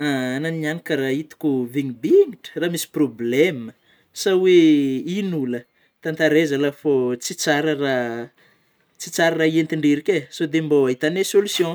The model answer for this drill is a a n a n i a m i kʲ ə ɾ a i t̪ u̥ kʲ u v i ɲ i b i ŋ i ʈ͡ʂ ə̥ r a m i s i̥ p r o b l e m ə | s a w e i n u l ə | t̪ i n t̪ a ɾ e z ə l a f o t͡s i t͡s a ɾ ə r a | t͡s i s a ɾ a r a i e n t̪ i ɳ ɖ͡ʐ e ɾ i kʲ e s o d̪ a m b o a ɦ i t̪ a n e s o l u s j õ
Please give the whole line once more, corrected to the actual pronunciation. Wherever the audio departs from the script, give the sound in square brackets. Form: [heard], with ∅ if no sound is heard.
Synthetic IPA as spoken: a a n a n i a [n] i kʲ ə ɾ a i t̪ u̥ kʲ u v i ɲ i b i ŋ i ʈ͡ʂ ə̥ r a m i s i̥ p r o b l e m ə | s a w e i n u l ə | t̪ [a] n t̪ a ɾ e z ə l a f o t͡s i t͡s a ɾ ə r a | t͡s i [t͡s] a ɾ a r a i e n t̪ i ɳ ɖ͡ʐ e ɾ i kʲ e s o d̪ [e] m b o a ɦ i t̪ a n e s o l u s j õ